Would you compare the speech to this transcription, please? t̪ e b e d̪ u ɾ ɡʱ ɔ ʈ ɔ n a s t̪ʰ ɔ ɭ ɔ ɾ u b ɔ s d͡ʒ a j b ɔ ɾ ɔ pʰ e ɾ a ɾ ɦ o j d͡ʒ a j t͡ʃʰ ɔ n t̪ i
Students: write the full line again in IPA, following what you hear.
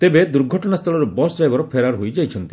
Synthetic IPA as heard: t̪ e b e d̪ u ɾ ɡʱ ɔ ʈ ɔ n a s t̪ʰ ɔ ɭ ɔ ɾ u b ɔ s d͡ʒ a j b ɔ ɾ ɔ pʰ e ɾ a ɾ ɦ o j d͡ʒ a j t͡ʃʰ ɔ n t̪ i